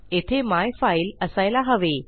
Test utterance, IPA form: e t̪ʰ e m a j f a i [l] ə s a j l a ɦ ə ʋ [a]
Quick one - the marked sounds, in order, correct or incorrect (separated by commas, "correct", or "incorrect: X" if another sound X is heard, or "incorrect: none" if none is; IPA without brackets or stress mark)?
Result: correct, incorrect: e